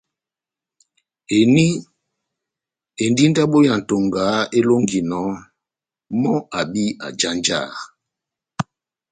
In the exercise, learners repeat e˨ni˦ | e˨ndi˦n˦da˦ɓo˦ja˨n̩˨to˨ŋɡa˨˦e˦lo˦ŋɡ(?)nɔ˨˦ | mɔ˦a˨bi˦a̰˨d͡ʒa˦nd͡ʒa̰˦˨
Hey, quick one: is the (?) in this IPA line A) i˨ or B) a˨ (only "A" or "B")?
A